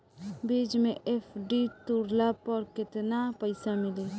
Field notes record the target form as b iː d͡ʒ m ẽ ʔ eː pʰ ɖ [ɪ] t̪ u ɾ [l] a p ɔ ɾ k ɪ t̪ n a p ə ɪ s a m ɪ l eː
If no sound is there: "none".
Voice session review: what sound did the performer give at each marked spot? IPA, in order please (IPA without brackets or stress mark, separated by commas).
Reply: i, l